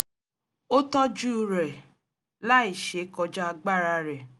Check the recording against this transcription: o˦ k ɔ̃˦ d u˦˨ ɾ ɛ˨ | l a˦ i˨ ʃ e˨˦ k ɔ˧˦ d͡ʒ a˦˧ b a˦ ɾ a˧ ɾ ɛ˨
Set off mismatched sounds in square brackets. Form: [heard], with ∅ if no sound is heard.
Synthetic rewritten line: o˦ [t] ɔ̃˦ [d͡ʒ] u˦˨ ɾ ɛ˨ | l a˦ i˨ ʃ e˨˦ k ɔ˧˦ d͡ʒ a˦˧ [ɡ͡b] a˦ ɾ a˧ ɾ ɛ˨

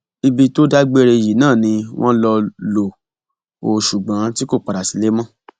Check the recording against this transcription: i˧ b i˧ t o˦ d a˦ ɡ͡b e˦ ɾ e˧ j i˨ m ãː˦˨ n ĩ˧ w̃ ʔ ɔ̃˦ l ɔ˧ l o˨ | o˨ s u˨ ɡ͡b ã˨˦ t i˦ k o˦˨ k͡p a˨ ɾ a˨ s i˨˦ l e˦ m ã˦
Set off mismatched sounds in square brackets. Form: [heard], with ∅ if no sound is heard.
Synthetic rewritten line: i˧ b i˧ t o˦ d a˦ ɡ͡b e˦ ɾ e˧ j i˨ [n] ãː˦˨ n ĩ˧ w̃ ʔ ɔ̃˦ l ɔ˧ l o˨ | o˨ [ʃ] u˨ ɡ͡b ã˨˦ t i˦ k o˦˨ k͡p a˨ ɾ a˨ s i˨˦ l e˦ m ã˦

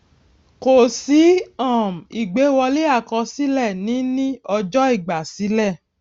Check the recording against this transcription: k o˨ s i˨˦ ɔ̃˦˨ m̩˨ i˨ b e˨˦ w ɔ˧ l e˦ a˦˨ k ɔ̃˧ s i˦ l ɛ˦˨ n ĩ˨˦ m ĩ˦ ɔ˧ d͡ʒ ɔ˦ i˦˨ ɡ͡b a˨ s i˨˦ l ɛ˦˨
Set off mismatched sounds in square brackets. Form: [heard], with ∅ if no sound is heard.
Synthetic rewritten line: k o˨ s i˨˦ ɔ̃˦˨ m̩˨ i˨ [ɡ͡b] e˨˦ w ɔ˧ l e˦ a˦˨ k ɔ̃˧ s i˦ l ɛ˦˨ n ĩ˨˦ [n] ĩ˦ ɔ˧ d͡ʒ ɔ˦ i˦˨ ɡ͡b a˨ s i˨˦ l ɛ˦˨

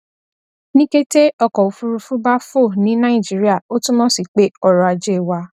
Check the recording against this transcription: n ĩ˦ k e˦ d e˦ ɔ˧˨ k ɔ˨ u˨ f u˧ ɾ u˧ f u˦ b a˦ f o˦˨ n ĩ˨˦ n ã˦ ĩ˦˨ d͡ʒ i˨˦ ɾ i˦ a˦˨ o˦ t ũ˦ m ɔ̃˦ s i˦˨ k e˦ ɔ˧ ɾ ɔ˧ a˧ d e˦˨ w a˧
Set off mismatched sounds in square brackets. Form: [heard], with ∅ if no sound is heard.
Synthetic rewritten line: n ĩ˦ k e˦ [t] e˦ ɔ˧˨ k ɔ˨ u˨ f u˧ ɾ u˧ f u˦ b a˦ f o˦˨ n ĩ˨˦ n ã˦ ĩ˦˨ d͡ʒ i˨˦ ɾ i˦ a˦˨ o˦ t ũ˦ m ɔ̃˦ s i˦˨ [k͡p] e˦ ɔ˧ ɾ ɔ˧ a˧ [d͡ʒ] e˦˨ w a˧

